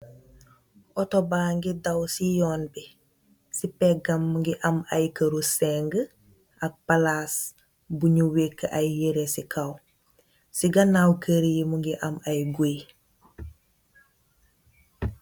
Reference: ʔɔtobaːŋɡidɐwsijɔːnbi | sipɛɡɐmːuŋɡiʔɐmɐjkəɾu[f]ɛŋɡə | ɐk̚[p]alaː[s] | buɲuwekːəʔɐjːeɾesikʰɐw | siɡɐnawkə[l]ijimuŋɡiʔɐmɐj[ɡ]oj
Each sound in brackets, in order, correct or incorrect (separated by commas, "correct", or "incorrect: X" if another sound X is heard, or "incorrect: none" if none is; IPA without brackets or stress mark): incorrect: s, correct, correct, incorrect: ɾ, correct